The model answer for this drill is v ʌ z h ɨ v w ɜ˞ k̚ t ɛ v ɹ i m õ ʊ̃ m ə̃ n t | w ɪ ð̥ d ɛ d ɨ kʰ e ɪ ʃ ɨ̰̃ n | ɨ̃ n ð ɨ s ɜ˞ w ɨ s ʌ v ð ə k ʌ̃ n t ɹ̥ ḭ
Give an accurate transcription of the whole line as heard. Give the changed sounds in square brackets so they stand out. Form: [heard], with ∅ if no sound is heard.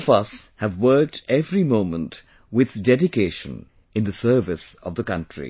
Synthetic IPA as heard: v ʌ [s] h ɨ v w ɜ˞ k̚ t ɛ v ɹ i m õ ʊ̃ m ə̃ n t | w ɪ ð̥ d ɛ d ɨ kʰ e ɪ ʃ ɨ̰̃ n | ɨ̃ n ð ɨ s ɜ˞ [v] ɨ s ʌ v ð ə k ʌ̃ n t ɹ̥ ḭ